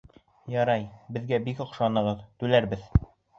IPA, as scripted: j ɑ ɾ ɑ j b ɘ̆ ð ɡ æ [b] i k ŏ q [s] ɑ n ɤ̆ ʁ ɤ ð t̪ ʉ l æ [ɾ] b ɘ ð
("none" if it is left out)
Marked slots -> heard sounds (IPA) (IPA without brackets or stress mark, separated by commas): b, ʃ, ɾ